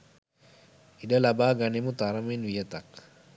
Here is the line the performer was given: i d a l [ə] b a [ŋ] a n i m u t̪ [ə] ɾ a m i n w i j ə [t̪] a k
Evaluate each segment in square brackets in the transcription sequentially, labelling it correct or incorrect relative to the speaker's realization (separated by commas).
incorrect, incorrect, incorrect, correct